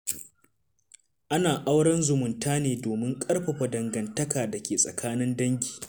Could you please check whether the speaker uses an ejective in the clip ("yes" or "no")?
yes